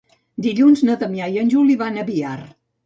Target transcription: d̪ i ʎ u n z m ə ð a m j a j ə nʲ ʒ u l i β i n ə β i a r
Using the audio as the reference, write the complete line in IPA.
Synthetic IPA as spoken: d̪ i ʎ u n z n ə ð ə m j a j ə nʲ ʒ u l i β a n ə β i a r